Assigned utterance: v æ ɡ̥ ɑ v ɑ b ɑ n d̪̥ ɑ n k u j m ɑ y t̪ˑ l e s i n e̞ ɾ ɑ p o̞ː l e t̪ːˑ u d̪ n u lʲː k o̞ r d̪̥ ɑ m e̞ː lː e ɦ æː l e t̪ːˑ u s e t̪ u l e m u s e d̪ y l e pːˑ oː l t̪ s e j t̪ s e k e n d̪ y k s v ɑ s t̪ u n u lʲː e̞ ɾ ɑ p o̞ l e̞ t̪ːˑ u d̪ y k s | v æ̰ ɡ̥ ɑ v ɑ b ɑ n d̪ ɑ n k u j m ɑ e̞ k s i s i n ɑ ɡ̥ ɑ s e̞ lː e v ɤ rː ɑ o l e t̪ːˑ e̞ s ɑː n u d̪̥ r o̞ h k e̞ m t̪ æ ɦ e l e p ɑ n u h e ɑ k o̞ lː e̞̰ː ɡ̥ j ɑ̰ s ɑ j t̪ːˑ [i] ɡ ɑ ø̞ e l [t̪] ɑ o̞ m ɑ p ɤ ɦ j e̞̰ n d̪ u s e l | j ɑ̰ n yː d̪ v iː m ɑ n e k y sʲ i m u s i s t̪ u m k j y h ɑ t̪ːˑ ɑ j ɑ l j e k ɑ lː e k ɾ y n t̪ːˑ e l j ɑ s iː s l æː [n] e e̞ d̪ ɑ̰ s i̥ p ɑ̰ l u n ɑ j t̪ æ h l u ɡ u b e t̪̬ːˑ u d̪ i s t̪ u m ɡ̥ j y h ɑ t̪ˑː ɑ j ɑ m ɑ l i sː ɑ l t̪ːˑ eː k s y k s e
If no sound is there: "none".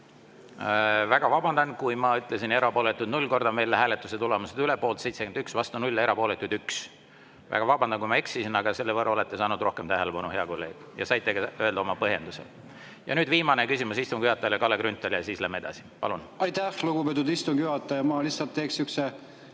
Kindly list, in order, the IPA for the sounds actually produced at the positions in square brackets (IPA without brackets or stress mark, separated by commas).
e, d̪, m